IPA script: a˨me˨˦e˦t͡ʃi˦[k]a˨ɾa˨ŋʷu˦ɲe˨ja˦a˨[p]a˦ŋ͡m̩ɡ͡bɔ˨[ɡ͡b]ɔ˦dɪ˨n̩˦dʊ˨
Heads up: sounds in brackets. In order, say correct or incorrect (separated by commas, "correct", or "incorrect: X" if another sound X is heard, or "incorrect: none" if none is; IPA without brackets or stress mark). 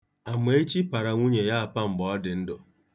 incorrect: p, correct, incorrect: none